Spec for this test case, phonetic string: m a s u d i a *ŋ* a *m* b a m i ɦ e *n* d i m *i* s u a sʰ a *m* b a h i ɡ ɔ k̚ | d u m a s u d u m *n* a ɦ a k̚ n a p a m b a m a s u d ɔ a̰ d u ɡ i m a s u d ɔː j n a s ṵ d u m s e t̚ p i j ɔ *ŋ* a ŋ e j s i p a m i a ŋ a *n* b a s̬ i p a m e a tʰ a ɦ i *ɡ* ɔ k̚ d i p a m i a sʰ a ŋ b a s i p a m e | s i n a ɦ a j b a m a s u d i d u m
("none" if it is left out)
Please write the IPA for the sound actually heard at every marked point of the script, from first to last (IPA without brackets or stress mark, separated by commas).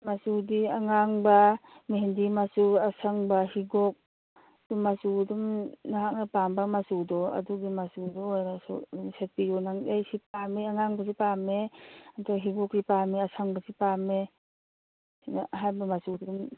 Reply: ŋ, ŋ, n, a, ŋ, n, n, ŋ, ɡ